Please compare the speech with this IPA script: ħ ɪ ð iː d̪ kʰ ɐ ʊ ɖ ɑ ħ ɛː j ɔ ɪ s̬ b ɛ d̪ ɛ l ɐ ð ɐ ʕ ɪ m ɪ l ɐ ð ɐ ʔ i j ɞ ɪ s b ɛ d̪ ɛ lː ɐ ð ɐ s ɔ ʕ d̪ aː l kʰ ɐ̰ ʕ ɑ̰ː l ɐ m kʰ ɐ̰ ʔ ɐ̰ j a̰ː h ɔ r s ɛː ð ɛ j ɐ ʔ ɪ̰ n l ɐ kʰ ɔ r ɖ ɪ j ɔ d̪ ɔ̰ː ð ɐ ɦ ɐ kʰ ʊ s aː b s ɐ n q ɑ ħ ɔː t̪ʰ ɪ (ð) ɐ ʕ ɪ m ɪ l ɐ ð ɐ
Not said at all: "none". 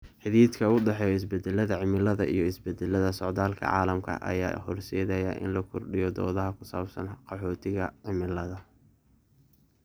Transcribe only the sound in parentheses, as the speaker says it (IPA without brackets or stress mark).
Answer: ɣ